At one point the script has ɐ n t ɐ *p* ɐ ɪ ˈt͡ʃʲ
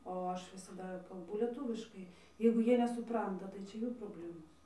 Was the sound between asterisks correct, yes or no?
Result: no